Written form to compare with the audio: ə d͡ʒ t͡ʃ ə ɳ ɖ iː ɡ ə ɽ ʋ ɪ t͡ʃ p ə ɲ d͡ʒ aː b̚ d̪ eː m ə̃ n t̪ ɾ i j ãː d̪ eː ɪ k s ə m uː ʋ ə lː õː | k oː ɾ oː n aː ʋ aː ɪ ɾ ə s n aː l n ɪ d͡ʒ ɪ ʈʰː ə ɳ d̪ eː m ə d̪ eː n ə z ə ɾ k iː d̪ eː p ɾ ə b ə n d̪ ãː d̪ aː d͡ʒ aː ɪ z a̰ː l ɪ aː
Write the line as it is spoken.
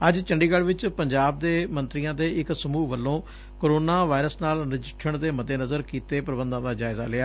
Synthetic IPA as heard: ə d͡ʒ t͡ʃ ə ɳ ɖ iː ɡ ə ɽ ʋ ɪ t͡ʃ p ə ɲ d͡ʒ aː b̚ d̪ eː m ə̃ n t̪ ɾ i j ãː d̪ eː ɪ k s ə m uː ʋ ə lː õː | k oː ɾ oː n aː ʋ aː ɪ ɾ ə s n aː l n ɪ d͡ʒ ɪ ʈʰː ə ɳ d̪ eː m ə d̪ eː n ə z ə ɾ k iː t̪ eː p ɾ ə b ə n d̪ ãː d̪ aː d͡ʒ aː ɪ z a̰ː l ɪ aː

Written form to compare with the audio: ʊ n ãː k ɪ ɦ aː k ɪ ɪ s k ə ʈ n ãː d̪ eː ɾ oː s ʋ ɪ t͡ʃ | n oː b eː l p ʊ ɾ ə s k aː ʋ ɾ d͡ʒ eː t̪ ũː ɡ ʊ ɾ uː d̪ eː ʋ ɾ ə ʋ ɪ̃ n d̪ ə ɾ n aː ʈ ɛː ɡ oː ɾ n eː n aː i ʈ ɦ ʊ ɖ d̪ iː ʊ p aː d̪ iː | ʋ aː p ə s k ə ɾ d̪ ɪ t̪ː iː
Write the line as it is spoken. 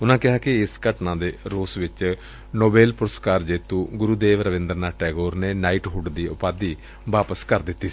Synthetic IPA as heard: ʊ n ãː k ɪ ɦ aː k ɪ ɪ s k ə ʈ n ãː d̪ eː ɾ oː s ʋ ɪ t͡ʃ | n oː b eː l p ʊ ɾ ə s k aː ɾ d͡ʒ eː t̪ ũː ɡ ʊ ɾ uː d̪ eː ʋ ɾ ə ʋ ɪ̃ n d̪ ə ɾ n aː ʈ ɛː ɡ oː ɾ n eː n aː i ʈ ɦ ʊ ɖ d̪ iː ʊ p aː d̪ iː | ʋ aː p ə s k ə ɾ d̪ ɪ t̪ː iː

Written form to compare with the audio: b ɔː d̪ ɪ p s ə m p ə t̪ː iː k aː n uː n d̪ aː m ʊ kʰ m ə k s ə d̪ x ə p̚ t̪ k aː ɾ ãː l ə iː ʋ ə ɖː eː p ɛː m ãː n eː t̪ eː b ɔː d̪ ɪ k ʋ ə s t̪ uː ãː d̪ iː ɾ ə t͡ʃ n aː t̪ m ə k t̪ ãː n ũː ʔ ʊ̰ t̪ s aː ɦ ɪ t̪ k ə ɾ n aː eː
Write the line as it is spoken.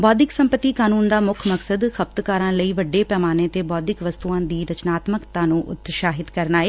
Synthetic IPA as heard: b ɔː d̪ ɪ k s ə m p ə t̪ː iː k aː n uː n d̪ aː m ʊ kʰ m ə k s ə d̪ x ə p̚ t̪ k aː ɾ ãː l ə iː ʋ ə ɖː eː p ɛː m aː n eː t̪ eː b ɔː d̪ ɪ k ʋ ə s t̪ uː ãː d̪ iː ɾ ə t͡ʃ n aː t̪ m ə k t̪ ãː n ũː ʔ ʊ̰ t̪ ʃ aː ɦ ɪ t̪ k ə ɾ n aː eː

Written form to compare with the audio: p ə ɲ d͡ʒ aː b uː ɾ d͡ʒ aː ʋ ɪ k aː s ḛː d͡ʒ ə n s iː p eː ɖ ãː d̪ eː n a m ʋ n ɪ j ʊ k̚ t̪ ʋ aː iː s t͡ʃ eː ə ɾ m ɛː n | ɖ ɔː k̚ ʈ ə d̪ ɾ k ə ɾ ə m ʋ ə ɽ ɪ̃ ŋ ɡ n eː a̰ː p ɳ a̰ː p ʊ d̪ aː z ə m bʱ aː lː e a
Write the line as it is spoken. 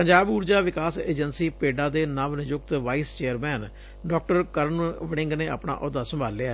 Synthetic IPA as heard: p ə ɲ d͡ʒ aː b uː ɾ d͡ʒ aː ʋ ɪ k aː s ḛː d͡ʒ ə n s iː p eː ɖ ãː d̪ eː n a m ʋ n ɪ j ʊ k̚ t̪ ʋ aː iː s t͡ʃ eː ə ɾ m ɛː n | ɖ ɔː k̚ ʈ ə ɾ k ə ɾ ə n ʋ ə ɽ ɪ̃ ŋ ɡ n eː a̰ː p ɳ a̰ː ʔ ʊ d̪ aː s ə m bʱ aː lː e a

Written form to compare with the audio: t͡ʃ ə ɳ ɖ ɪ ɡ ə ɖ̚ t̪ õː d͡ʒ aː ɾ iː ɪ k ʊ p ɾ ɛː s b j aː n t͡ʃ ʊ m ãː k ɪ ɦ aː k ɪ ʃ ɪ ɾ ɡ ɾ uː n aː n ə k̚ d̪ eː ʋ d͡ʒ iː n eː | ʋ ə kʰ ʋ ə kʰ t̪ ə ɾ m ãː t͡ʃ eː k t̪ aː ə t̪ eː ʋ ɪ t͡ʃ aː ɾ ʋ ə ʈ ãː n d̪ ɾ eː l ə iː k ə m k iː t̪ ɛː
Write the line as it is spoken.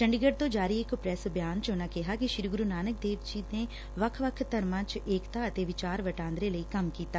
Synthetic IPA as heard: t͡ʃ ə ɳ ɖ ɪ ɡ ə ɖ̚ t̪ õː d͡ʒ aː ɾ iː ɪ k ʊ p ɾ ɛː s b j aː n t͡ʃ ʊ n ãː k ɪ ɦ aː k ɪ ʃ ɪ ɾ ɡ ɾ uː n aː n ə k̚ d̪ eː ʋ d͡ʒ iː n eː | ʋ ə kʰ ʋ ə kʰ t̪ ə ɾ m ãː t͡ʃ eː k t̪ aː ə t̪ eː ʋ ɪ t͡ʃ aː ɾ ʋ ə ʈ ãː n d̪ ɾ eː l ə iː k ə m k iː t̪ aː

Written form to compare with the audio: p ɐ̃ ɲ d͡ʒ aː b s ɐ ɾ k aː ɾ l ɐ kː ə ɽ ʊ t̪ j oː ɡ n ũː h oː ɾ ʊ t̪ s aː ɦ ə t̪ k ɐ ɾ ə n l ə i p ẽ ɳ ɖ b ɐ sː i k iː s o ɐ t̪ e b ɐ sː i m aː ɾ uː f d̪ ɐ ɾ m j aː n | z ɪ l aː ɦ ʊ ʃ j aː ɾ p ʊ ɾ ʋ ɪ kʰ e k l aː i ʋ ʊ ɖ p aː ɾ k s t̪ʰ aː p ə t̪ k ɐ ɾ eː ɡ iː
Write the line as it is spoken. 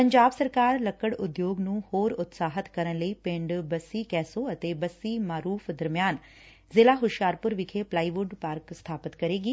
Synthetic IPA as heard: p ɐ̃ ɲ d͡ʒ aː b s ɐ ɾ k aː ɾ l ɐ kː ə ɽ ʊ d̪ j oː ɡ n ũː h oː ɾ ʊ t̪ s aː ɦ ə t̪ k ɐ ɾ ə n l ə i p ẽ ɳ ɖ b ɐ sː i k ɛː s o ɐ t̪ e b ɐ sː i m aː ɾ uː f d̪ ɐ ɾ m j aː n | z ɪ l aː ɦ ʊ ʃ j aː ɾ p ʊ ɾ ʋ ɪ kʰ e p l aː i ʋ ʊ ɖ p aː ɾ k s t̪ʰ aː p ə t̪ k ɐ ɾ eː ɡ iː

